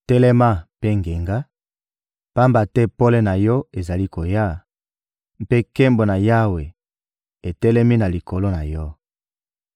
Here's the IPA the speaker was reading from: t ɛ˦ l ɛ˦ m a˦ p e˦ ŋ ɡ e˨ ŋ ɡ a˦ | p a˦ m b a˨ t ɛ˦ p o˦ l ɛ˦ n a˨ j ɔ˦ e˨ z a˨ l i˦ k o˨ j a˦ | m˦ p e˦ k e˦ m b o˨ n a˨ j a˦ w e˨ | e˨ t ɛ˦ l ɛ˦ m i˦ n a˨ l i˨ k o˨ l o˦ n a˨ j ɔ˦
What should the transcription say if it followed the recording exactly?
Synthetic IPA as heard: t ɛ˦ l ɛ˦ m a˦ p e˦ ŋ ɡ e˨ ŋ ɡ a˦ | p a˦ m b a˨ t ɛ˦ p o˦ l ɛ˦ n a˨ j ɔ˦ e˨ z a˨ l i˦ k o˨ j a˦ | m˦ p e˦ k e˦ m b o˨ n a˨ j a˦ w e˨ | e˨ t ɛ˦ l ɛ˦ m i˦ n a˨ l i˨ k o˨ l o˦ n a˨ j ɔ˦

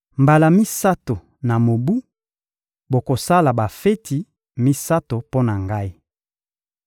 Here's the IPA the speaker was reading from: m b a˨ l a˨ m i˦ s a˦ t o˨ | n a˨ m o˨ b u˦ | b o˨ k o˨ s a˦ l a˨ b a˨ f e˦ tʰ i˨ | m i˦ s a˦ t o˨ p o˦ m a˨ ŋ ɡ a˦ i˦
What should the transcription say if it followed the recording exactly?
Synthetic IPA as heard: m b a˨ l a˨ m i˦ s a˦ t o˨ | n a˨ m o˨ b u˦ | b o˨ k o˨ s a˦ l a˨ b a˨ f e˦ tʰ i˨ | m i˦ s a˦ t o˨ p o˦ n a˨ ŋ ɡ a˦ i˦

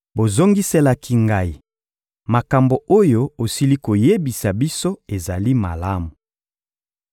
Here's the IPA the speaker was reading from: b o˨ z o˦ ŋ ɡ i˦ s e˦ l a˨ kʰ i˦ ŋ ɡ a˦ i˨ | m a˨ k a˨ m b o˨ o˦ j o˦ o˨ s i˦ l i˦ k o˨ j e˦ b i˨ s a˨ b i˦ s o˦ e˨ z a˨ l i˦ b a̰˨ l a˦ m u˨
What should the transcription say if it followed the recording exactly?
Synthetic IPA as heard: b o˨ z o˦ ŋ ɡ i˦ s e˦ l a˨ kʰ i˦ ŋ ɡ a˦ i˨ | m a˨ k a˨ m b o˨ o˦ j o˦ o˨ s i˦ l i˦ k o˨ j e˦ b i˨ s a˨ b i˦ s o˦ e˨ z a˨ l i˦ m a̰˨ l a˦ m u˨

